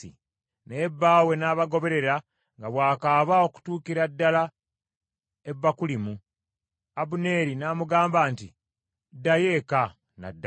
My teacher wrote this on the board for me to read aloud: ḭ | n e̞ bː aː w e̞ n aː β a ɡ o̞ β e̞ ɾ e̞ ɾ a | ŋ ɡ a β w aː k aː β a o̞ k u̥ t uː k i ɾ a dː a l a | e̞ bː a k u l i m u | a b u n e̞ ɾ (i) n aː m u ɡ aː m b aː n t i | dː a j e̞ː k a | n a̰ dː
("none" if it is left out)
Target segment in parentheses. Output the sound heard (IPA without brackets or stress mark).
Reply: i